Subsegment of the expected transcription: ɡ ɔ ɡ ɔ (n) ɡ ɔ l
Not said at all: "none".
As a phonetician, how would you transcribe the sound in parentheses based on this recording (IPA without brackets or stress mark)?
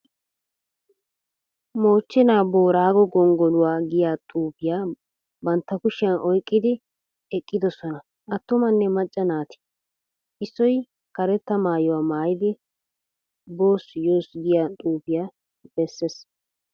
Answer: ŋ